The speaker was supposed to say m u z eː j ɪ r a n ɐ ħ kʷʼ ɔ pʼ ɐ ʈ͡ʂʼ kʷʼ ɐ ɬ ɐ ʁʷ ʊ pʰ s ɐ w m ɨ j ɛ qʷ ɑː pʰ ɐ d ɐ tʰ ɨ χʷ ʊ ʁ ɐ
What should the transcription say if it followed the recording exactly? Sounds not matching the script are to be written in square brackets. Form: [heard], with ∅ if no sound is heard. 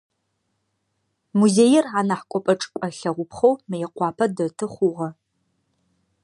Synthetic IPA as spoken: m u z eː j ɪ r a n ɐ ħ kʷʼ ɔ pʼ ɐ ʈ͡ʂʼ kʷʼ ɐ ɬ ɐ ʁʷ ʊ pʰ [χ] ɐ w m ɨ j ɛ qʷ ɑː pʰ ɐ d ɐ tʰ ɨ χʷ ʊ ʁ ɐ